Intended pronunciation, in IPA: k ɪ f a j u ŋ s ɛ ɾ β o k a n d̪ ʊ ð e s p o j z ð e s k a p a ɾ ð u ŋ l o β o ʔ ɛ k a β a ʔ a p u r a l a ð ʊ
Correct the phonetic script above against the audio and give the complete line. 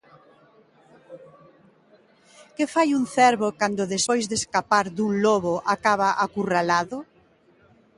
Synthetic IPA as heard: k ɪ f a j u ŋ θ ɛ ɾ β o k a n d̪ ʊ ð e s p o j z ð e s k a p a ɾ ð u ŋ l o β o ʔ a k a β a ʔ a k u r a l a ð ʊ